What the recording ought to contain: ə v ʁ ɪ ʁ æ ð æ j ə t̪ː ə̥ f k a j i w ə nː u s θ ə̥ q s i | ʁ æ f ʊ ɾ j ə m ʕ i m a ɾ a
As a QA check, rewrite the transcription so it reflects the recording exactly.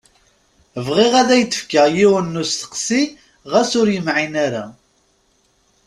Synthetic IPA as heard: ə v ʁ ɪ ʁ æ ð æ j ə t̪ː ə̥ f k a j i w ə nː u s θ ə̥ q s i | ʁ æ s ʊ ɾ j ə m ʕ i n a ɾ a